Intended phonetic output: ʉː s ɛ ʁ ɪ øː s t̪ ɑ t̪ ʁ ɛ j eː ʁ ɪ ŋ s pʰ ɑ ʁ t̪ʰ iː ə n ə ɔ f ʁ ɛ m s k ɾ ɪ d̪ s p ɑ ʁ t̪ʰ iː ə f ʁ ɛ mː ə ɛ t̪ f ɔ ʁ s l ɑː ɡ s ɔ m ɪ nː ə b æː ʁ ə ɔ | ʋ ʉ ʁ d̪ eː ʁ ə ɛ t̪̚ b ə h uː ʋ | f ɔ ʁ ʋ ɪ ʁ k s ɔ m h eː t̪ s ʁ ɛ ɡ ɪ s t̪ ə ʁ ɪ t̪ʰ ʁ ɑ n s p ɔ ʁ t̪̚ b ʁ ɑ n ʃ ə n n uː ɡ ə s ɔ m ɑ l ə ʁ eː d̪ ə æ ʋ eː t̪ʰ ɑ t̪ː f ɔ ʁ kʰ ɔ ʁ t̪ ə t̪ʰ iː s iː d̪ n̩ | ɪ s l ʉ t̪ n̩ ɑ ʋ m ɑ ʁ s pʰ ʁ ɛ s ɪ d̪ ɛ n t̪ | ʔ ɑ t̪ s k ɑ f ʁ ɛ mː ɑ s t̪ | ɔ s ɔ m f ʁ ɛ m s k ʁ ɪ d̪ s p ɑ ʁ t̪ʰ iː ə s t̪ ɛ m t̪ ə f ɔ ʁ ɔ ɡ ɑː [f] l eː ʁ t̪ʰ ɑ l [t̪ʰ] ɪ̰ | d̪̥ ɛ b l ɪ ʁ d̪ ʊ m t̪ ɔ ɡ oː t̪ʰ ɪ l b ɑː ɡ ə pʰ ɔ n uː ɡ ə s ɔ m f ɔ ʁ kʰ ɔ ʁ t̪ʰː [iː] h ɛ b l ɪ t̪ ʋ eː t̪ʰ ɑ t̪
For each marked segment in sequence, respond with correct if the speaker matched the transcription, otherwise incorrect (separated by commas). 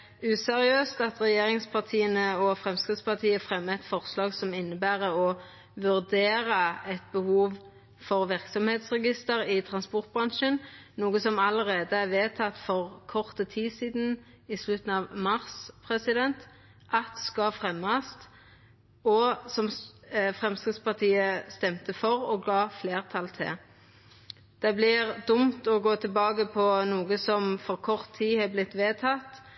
correct, correct, correct